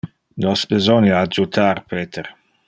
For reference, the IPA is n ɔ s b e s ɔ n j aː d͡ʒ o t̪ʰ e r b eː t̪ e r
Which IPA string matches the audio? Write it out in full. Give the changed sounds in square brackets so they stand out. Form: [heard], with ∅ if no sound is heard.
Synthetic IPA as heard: n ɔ s b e [z] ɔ n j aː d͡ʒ [u] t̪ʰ [a] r [p] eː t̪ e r